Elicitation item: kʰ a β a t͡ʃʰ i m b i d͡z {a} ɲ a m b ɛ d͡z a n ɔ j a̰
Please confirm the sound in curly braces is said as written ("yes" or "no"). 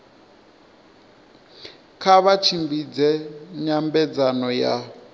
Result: no